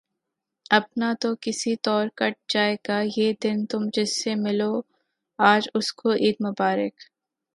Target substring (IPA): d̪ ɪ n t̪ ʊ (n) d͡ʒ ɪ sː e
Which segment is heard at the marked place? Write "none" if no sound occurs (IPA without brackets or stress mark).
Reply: m